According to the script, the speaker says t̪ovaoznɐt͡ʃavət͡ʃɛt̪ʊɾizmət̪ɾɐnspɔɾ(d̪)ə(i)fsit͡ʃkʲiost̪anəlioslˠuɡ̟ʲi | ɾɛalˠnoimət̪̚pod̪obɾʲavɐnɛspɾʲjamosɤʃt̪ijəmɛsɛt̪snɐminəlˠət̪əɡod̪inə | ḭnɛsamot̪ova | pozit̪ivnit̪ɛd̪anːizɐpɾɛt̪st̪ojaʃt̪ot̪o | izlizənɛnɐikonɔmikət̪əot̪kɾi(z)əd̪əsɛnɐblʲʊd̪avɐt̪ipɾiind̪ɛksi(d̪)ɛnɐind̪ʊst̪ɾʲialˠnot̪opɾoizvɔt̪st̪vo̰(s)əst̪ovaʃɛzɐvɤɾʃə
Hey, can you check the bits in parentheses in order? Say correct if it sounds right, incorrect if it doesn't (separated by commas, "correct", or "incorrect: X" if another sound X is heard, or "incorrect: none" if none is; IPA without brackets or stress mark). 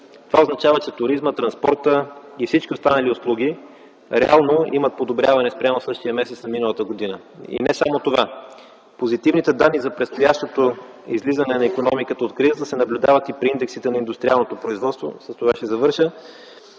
incorrect: t̪, correct, correct, incorrect: t̪, correct